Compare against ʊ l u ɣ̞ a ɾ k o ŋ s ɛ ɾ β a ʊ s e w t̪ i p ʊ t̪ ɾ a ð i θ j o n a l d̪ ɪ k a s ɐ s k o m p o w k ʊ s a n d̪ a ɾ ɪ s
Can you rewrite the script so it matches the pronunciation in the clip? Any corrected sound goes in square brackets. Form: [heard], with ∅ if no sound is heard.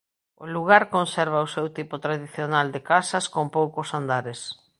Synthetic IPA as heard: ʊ l u ɣ̞ a ɾ k o [n] s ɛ ɾ β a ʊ s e w t̪ i p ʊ t̪ ɾ a ð i θ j o n a l d̪ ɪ k a s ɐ s k o m p o w k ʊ s a n d̪ a ɾ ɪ s